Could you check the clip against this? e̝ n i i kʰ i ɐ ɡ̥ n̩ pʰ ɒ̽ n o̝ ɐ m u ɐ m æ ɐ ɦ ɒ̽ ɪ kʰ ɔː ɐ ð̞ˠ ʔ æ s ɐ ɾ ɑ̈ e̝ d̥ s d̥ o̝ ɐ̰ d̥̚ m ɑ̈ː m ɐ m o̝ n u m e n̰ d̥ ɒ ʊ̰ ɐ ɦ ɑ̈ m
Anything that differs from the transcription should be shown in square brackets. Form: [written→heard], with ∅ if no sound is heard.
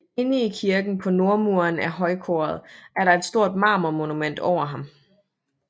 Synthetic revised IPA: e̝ n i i kʰ i ɐ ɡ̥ n̩ pʰ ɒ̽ n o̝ ɐ m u ɐ [m→n] æ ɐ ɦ ɒ̽ ɪ kʰ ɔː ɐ ð̞ˠ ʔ æ [s→∅] ɐ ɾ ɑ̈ e̝ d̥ s d̥ o̝ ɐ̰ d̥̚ m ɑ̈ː m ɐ m o̝ n u m e n̰ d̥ ɒ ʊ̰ ɐ ɦ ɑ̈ m